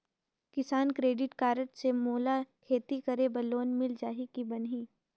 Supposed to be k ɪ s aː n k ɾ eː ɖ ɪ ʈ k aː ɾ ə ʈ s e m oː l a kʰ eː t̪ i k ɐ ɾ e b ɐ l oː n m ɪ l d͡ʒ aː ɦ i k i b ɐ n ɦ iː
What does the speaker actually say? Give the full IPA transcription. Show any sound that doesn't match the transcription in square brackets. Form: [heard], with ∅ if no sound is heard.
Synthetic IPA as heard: k ɪ s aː n k ɾ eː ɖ ɪ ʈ k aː ɾ ə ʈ s e m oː l a kʰ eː t̪ i k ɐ ɾ e b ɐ l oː n m ɪ l d͡ʒ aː ɦ i k i b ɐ n ɦ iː